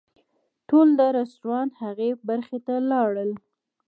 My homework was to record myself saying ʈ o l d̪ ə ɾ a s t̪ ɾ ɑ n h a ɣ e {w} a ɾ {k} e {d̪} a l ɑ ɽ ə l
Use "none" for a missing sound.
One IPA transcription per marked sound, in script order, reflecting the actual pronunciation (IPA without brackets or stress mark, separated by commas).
b, x, t̪